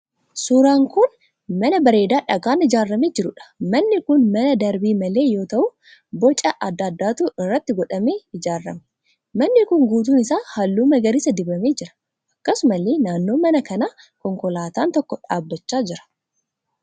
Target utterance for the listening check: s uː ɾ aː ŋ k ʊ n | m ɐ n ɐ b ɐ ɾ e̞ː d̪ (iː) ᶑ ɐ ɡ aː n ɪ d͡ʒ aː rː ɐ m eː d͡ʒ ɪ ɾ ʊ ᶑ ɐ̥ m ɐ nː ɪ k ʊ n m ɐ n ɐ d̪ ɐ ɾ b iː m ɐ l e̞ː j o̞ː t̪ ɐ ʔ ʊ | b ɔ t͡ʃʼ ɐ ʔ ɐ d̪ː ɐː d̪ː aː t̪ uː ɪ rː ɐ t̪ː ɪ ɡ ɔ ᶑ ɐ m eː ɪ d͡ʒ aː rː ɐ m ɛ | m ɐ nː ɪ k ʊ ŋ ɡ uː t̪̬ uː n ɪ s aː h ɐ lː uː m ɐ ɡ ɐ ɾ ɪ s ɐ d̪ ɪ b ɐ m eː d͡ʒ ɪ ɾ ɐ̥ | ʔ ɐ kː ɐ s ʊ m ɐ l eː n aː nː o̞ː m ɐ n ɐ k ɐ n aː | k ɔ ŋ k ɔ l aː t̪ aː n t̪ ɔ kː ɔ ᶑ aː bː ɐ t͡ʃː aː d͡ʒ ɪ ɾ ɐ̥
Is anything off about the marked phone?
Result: yes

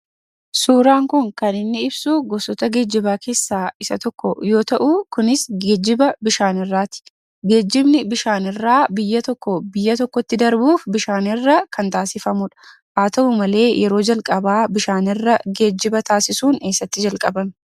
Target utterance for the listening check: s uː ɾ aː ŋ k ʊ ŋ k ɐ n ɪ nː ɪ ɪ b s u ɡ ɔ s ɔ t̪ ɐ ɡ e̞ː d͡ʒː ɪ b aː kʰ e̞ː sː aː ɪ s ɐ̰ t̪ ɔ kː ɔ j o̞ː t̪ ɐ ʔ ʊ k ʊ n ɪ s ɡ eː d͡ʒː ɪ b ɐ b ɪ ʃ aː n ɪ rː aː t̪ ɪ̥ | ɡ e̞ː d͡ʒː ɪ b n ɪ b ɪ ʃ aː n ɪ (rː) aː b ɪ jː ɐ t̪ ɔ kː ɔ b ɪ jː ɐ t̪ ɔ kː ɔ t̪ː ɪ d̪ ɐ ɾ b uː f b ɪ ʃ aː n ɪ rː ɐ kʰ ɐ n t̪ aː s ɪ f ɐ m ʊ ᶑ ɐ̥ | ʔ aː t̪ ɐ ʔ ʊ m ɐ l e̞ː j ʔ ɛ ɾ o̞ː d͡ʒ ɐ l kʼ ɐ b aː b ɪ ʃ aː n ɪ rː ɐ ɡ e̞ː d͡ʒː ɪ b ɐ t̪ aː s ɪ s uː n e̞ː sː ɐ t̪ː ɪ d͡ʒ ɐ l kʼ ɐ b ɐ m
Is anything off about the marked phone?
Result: no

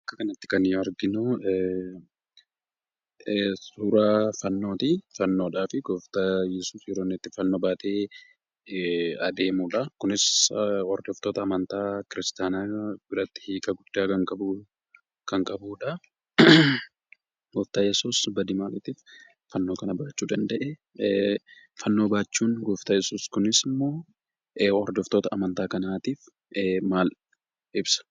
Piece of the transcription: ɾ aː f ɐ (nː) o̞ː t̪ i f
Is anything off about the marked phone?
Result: no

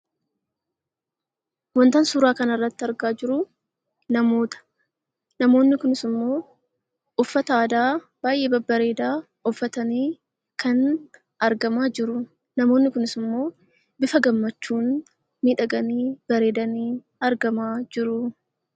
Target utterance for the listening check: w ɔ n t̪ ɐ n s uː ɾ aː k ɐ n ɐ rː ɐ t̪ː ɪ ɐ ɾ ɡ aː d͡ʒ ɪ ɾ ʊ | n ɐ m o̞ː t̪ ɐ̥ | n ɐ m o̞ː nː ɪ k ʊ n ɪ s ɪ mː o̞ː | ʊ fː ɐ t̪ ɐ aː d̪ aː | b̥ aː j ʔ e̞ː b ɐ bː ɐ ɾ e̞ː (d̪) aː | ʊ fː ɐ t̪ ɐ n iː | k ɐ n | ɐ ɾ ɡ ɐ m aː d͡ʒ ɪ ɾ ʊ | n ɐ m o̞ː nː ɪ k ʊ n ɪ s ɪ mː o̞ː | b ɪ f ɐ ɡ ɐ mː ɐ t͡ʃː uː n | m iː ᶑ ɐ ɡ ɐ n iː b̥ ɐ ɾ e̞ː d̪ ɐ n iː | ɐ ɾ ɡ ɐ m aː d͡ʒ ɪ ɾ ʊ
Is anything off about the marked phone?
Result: no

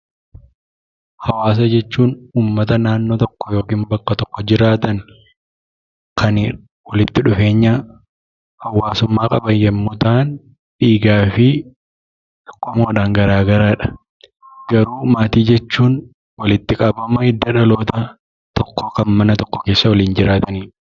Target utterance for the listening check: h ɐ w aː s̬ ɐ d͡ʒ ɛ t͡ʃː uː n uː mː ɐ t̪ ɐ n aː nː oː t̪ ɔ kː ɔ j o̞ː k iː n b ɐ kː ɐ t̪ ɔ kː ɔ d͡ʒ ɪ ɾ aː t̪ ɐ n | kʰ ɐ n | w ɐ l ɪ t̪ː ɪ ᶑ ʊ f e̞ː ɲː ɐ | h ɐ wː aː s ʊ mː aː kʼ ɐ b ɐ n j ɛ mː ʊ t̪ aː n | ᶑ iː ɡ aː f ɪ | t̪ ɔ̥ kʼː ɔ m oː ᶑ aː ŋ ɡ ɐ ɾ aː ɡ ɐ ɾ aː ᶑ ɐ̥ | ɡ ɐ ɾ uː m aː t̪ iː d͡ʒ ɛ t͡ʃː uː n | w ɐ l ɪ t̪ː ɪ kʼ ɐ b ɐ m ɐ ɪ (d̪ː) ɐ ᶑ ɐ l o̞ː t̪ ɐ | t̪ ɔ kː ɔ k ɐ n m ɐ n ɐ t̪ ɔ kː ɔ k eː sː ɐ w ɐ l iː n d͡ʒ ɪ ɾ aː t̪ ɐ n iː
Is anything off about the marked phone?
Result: no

